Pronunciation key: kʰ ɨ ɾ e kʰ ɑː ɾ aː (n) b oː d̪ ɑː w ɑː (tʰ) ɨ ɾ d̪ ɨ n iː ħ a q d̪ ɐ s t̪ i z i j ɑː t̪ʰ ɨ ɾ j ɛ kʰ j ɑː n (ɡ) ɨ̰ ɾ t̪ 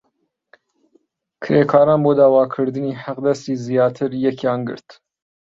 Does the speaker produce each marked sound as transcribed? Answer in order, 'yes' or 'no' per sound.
yes, no, yes

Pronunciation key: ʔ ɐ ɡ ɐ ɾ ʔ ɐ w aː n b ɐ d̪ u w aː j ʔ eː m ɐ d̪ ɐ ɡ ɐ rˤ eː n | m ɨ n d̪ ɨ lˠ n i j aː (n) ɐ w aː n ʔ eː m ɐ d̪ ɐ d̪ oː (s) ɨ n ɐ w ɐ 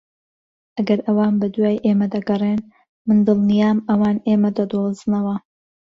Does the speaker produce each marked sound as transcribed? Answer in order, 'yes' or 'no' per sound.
no, no

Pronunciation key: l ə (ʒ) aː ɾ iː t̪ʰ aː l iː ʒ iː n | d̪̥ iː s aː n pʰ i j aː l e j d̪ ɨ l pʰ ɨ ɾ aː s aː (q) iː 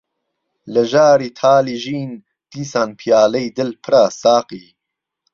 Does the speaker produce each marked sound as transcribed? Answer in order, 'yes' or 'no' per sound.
yes, yes

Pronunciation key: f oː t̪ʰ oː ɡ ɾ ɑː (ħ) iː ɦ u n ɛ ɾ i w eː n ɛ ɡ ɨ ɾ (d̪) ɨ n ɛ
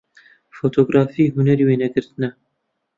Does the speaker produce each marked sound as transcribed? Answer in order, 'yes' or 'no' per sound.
no, no

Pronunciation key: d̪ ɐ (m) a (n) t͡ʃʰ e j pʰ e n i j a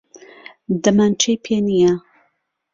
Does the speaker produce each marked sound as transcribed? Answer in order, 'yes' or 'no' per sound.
yes, yes

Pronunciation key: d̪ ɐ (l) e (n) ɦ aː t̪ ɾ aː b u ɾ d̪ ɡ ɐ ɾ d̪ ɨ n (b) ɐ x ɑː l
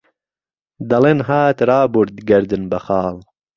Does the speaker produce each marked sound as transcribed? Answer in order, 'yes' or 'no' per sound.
yes, yes, yes

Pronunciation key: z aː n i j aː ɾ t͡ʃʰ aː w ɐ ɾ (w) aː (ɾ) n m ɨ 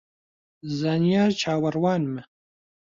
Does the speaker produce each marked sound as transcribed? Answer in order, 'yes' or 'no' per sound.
yes, no

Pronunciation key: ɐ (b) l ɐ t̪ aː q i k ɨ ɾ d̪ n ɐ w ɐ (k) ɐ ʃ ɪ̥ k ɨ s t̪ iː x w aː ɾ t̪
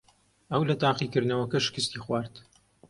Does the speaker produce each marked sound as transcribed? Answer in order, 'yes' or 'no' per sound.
no, yes

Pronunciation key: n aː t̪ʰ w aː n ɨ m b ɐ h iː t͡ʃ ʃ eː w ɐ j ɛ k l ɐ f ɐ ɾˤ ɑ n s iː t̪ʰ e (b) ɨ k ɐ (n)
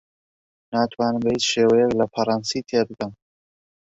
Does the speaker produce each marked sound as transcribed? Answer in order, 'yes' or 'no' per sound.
yes, no

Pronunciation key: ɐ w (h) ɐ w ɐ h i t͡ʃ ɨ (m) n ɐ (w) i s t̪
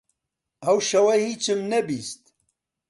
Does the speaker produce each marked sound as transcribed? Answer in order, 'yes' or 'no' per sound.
no, yes, no

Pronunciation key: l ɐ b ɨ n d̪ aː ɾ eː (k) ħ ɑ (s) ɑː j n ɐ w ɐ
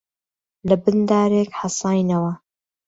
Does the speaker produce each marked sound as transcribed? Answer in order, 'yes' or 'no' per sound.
yes, yes

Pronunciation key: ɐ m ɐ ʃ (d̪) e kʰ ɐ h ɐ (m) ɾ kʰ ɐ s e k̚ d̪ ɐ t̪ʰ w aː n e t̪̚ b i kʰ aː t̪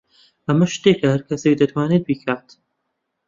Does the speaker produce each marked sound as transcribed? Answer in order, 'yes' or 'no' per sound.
no, no

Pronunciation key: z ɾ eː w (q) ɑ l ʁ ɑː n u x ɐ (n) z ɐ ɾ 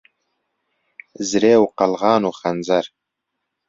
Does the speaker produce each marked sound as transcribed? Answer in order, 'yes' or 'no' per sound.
yes, yes

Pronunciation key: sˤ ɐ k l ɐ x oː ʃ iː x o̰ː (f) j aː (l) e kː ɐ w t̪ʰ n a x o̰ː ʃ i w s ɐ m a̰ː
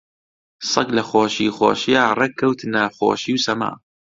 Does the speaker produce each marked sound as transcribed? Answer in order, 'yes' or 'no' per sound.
no, no

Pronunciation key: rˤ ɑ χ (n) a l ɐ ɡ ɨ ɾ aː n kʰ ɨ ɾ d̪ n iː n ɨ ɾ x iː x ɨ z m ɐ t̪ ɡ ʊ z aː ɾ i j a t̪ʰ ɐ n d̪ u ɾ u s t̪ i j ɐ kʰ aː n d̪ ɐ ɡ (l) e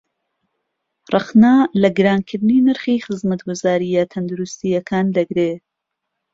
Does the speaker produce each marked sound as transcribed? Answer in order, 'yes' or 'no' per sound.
yes, no

